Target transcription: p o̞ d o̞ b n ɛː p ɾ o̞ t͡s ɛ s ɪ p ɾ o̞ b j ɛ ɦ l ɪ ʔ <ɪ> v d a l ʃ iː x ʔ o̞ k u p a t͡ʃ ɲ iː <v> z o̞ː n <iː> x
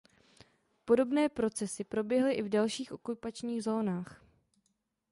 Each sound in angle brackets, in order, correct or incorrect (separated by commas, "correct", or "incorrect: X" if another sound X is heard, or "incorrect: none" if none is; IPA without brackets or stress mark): correct, incorrect: ɣ, incorrect: aː